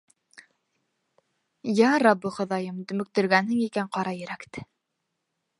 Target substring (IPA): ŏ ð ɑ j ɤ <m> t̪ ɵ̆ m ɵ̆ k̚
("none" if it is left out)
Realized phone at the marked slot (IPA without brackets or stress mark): m